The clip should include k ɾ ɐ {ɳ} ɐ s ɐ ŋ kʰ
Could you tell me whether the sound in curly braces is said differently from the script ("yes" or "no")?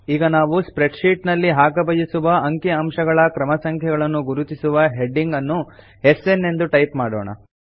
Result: yes